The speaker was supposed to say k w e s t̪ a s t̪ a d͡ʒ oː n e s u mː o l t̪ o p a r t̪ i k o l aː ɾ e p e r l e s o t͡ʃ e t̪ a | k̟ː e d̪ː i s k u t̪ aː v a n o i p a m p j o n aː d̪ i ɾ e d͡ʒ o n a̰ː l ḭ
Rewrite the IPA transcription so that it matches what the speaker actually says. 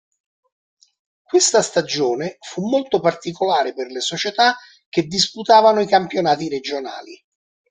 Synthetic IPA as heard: k w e s t̪ a s t̪ a d͡ʒ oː n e f u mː o l t̪ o p a r t̪ i k o l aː ɾ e p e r l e s o t͡ʃ e t̪ a | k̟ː e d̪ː i s p u t̪ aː v a n o i k a m p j o n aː t̪ i ɾ e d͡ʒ o n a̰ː l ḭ